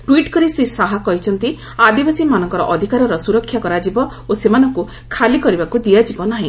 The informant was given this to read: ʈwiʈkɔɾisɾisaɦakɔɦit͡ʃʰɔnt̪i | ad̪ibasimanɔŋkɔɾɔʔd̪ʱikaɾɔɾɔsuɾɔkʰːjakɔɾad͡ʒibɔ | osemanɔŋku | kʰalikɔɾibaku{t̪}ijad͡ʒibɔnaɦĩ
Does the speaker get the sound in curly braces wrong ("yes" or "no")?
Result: yes